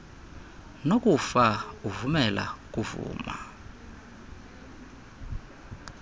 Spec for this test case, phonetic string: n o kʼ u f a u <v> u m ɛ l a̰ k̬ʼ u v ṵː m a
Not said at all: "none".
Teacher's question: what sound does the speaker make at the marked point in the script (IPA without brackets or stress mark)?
v